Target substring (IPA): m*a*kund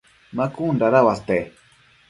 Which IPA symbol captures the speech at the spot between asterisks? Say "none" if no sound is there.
a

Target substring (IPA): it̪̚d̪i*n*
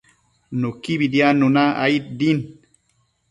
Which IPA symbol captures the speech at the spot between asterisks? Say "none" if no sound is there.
n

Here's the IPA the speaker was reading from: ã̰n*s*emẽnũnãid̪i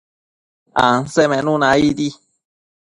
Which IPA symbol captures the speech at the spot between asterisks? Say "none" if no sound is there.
s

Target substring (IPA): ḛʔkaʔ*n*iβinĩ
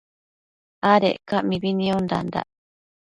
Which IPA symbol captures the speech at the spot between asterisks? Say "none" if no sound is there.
m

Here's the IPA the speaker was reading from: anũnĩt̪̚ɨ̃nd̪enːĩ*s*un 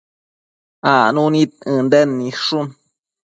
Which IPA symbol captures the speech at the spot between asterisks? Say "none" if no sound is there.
ʂ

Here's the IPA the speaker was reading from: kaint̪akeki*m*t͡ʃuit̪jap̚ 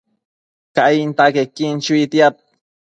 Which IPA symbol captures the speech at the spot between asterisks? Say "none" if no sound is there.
n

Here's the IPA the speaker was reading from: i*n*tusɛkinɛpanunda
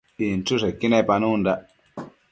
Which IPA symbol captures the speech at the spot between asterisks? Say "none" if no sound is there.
n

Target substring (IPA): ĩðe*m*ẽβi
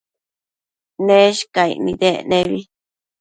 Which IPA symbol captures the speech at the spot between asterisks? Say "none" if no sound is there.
n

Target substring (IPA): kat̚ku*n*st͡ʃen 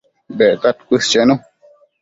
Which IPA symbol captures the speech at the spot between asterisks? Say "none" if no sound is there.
none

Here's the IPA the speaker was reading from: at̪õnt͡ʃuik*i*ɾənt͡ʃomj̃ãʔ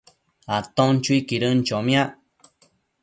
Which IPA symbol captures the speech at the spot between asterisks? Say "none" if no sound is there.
i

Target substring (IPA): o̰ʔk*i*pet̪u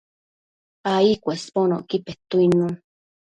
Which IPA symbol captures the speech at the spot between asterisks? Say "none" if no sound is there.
i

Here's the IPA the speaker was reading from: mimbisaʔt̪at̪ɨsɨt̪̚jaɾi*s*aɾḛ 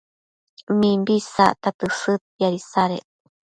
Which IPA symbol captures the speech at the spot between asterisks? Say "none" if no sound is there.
s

